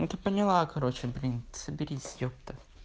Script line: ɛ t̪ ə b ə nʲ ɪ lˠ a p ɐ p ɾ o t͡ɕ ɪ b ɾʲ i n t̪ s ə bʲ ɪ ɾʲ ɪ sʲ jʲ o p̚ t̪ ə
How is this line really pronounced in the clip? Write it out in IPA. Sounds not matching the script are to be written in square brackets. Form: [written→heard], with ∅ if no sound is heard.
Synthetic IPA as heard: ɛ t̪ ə [b→p] ə nʲ ɪ lˠ a [p→k] ɐ [p→∅] ɾ o t͡ɕ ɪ b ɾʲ i n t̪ s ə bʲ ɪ ɾʲ [ɪ→i] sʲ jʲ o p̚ t̪ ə